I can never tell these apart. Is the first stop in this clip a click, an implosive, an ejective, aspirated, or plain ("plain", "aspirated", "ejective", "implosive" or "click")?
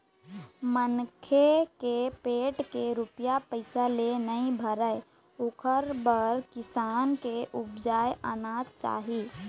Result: aspirated